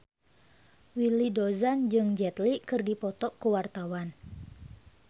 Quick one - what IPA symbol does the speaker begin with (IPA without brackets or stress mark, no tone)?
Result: w